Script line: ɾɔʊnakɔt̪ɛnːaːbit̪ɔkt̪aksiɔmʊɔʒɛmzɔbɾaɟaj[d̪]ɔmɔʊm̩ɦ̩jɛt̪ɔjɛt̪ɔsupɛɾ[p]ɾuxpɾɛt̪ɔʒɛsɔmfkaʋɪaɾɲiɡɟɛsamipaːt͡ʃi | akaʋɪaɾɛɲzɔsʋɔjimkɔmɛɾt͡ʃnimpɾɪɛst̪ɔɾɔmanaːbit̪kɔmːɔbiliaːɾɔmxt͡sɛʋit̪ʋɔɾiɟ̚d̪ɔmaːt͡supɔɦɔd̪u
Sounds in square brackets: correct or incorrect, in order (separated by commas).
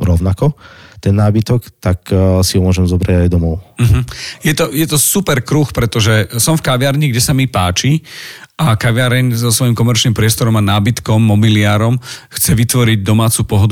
correct, incorrect